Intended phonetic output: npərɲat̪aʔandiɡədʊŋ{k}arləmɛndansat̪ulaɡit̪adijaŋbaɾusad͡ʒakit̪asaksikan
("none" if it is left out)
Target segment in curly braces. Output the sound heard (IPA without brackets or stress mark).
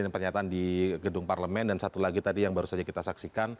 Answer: p